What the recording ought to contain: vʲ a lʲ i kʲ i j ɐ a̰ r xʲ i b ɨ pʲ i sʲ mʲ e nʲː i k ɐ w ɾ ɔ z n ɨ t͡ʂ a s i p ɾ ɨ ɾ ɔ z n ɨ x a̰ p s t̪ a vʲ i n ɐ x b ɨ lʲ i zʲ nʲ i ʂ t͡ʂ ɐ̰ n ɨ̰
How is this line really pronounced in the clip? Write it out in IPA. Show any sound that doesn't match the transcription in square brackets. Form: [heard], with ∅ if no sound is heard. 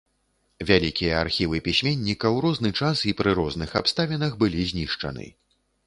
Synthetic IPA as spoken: vʲ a lʲ i kʲ i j ɐ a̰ r xʲ i [v] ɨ pʲ i sʲ mʲ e nʲː i k ɐ w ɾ ɔ z n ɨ t͡ʂ a s i p ɾ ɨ ɾ ɔ z n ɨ x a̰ p s t̪ a vʲ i n ɐ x b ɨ lʲ i zʲ nʲ i ʂ t͡ʂ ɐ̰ n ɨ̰